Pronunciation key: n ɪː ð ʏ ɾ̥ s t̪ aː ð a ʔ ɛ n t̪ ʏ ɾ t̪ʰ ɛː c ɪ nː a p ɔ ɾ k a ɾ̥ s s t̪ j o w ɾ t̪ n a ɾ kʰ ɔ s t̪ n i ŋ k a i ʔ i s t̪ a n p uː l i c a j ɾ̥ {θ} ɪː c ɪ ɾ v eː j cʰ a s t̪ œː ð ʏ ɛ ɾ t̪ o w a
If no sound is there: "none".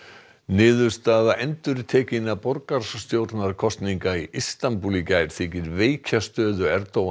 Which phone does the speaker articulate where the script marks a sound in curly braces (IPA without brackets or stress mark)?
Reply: θ